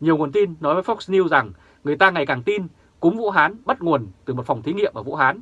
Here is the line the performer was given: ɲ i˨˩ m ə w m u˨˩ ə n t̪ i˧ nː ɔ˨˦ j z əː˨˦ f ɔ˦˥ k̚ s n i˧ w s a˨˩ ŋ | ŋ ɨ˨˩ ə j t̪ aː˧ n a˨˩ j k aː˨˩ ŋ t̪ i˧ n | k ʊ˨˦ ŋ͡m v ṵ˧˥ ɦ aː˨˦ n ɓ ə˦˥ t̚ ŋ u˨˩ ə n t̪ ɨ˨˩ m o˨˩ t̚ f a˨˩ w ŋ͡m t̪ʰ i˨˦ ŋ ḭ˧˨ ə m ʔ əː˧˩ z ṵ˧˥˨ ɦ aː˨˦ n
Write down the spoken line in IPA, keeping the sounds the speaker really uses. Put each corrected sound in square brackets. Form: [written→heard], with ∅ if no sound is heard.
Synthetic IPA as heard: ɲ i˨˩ [m→∅] ə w [m→ŋ] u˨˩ ə n t̪ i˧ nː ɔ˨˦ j [z→v] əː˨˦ f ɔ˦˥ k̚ s n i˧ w [s→z] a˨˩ ŋ | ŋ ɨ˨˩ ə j t̪ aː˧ [n→ŋ] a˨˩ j k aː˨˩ ŋ t̪ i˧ n | k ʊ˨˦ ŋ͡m v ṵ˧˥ ɦ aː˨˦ n ɓ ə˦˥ t̚ ŋ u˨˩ ə n t̪ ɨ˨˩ m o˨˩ t̚ f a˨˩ w ŋ͡m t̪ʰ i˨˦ ŋ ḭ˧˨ ə m ʔ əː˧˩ [z→v] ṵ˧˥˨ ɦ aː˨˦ n